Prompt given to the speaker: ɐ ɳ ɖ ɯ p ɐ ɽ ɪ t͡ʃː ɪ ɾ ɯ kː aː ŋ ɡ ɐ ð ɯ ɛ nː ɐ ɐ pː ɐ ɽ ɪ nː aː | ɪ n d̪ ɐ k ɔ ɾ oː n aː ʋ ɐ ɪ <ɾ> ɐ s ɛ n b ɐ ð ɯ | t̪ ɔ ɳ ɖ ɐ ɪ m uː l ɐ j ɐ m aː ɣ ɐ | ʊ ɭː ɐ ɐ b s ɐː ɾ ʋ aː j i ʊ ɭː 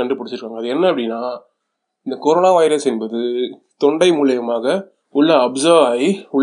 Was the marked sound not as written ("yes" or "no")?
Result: no